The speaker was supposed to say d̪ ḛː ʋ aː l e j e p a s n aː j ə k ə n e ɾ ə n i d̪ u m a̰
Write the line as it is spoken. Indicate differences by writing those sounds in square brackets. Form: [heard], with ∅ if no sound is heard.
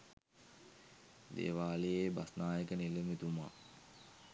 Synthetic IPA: d̪ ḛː ʋ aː l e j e [b] a s n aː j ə k ə n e [l] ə [m] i [t̪] u m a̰